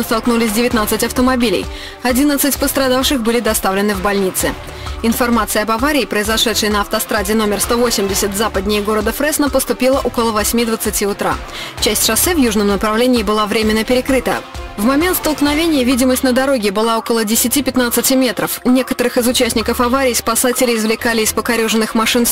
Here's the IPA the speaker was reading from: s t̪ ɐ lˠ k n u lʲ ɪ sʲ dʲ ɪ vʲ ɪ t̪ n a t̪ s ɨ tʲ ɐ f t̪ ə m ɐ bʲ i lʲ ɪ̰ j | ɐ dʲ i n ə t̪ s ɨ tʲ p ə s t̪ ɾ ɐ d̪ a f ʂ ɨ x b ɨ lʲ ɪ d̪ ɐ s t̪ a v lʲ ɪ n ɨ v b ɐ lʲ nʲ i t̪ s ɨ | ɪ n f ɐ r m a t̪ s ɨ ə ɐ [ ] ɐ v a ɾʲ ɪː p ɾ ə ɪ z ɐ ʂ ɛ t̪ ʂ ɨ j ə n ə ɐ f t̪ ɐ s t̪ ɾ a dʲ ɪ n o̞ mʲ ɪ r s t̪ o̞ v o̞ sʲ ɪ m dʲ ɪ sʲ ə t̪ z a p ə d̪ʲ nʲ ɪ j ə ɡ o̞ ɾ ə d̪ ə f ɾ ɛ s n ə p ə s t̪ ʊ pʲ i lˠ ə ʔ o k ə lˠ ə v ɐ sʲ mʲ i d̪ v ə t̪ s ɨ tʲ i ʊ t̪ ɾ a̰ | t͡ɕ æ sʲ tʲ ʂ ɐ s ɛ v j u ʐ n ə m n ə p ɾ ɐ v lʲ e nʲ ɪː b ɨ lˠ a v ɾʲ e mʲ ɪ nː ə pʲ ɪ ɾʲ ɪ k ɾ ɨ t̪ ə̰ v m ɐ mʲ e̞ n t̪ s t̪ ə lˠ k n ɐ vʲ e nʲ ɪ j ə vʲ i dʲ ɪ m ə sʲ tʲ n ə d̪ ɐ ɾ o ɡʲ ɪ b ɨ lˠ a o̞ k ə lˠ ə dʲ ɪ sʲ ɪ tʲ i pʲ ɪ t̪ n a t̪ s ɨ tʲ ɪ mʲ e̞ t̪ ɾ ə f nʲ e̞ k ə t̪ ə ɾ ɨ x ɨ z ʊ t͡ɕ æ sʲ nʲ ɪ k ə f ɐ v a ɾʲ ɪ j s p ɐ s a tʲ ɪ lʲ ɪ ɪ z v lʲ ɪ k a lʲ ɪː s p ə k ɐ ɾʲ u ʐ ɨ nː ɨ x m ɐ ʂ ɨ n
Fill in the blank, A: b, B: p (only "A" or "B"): A